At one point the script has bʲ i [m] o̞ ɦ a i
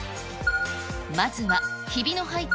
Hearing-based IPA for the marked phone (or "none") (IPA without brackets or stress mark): n